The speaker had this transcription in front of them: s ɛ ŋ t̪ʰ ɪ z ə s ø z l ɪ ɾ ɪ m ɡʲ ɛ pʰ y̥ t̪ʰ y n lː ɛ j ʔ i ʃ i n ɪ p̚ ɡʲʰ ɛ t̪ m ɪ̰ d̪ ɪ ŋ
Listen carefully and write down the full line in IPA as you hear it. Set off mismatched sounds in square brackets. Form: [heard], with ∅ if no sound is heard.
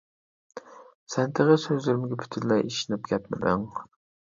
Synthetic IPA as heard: s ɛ [n] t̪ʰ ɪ [ʁ] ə s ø z l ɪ ɾ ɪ m ɡʲ ɛ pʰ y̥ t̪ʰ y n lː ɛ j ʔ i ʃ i n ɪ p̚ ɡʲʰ ɛ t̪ m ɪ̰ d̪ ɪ ŋ